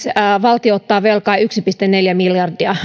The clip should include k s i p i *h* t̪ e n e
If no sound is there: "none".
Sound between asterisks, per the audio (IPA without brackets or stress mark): s